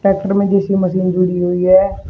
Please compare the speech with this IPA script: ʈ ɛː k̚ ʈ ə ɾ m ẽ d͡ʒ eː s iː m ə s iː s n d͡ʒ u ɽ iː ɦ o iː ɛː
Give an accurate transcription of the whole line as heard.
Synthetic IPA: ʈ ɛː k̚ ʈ ə ɾ m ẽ d͡ʒ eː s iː m ə s iː n d͡ʒ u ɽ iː ɦ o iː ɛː